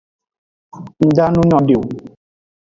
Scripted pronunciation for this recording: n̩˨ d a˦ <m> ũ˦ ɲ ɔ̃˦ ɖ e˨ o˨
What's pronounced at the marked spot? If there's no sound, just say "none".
n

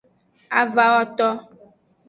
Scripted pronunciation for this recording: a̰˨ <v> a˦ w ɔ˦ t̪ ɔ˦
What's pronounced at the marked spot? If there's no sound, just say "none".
v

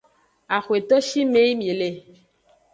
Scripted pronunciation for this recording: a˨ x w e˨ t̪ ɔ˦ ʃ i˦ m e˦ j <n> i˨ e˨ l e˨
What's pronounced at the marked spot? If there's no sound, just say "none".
m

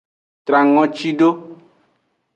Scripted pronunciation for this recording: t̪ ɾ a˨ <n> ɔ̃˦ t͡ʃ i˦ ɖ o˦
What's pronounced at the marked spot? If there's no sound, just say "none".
ŋ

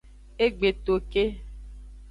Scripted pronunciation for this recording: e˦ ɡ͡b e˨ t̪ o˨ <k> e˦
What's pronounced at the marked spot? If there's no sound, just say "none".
k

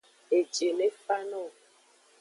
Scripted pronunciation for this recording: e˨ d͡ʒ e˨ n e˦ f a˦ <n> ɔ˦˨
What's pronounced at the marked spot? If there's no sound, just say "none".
n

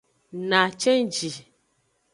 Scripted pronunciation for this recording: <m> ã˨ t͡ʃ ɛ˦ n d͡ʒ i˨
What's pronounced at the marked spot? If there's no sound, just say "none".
n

